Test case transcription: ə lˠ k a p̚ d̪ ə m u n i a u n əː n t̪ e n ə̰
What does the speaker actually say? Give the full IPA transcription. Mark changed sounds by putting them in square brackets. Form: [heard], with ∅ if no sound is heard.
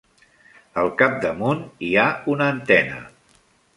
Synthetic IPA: ə lˠ k a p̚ d̪ ə m u n i a u n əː n t̪ [ɛ] n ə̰

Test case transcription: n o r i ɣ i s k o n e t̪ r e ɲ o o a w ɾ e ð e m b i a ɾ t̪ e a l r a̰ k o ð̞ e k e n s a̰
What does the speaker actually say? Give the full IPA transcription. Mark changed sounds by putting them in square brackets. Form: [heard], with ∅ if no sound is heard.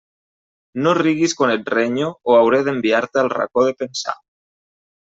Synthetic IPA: n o r i ɣ i s k o n e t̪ r e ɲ o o a w ɾ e ð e m b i a ɾ t̪ e a l r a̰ k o ð̞ e [p] e n s a̰

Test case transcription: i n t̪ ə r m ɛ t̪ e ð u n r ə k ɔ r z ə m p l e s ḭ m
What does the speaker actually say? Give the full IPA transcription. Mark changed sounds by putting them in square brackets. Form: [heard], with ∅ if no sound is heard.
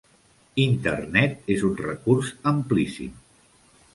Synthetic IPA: i n t̪ ə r [n] ɛ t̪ e [z] u n r ə k [u] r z ə m p l [i] s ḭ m

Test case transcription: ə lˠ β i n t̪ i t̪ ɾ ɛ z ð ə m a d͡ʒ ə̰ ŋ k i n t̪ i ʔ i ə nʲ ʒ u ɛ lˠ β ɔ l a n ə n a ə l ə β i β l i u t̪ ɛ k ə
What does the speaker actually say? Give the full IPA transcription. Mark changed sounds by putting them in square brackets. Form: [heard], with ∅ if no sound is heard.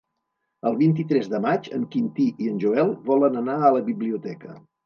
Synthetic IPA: ə lˠ β i n t̪ i t̪ ɾ ɛ z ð ə m a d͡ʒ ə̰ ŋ k i n t̪ i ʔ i ə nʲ ʒ u ɛ lˠ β ɔ l [ə] n ə n a ə l ə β i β l i u t̪ ɛ k ə

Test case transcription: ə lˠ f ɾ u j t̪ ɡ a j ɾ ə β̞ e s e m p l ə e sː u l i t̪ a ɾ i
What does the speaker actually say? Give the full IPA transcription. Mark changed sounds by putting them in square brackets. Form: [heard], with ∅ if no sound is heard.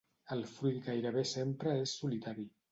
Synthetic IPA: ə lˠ f ɾ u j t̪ ɡ a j ɾ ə β̞ e s e m p [ɾ] ə e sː u l i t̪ a ɾ i

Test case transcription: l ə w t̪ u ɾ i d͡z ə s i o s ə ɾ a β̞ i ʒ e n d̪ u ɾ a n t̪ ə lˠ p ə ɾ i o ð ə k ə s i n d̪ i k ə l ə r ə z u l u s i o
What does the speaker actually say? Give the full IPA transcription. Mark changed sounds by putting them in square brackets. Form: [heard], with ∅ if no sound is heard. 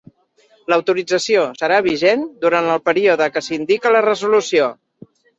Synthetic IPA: l ə w t̪ u ɾ i d͡z ə s i o s ə ɾ a β̞ i ʒ e n d̪ u ɾ a n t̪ ə lˠ p ə ɾ i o ð ə k ə s i n d̪ i k ə l ə r ə z u l u s i o

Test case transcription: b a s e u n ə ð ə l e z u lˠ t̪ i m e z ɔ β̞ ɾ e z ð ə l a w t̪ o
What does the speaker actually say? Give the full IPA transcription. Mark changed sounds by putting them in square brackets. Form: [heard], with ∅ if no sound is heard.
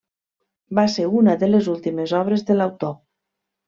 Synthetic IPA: b a s e u n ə ð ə l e z u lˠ t̪ i m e z ɔ β̞ ɾ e z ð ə l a w t̪ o

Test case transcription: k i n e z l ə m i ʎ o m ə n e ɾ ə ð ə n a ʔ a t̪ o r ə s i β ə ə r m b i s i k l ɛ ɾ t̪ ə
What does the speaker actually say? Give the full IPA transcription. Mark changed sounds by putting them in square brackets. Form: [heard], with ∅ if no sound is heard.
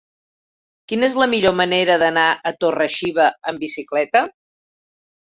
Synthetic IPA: k i n e z l ə m i ʎ o m ə n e ɾ ə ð ə n a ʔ [ə] t̪ o r ə [ʃ] i β ə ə [∅] m b i s i k l ɛ [∅] t̪ ə

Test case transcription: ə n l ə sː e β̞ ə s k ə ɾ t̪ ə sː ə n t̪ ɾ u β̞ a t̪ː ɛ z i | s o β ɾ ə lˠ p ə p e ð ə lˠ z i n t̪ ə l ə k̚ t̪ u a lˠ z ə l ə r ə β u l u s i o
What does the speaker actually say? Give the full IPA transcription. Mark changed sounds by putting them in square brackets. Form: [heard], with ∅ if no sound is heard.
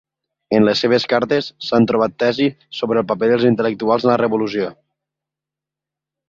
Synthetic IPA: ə n l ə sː e β̞ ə s k [a] ɾ t̪ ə sː [a] n t̪ ɾ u β̞ a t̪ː ɛ z i | s o β ɾ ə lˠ p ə p e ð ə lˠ z i n t̪ ə l ə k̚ t̪ u a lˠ z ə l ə r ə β u l u s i o

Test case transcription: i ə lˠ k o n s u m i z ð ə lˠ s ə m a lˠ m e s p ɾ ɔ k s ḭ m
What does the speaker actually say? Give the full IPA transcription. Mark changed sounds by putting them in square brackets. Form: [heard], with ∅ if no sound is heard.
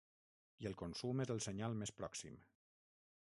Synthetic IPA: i ə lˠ k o n s u m [e] z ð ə lˠ s ə [ɲ] a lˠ m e s p ɾ ɔ k s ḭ m

